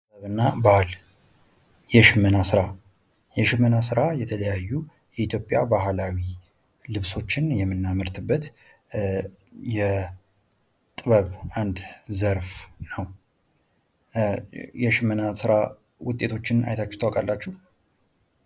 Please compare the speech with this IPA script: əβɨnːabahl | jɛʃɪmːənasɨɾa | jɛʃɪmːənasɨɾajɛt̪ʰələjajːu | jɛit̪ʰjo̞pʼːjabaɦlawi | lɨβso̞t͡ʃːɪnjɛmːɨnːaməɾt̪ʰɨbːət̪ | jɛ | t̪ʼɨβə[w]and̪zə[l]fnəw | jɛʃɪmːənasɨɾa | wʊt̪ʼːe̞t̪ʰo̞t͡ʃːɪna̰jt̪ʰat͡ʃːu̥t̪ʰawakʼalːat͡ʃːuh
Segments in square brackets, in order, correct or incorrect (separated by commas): incorrect, incorrect